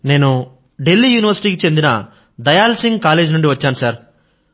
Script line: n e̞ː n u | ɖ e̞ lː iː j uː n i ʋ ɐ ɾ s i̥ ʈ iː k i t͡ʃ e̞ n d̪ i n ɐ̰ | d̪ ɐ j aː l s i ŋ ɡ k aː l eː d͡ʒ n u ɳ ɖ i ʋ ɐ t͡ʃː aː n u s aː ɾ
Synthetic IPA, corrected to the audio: n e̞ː n u | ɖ e̞ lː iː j uː n i ʋ ɐ ɾ s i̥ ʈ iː k i t͡ʃ e̞ n d̪ i n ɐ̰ | d̪ ɐ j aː l s i ŋ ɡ k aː l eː d͡ʒ n u ɳ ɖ i ʋ ɐ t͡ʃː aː n u s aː ɾ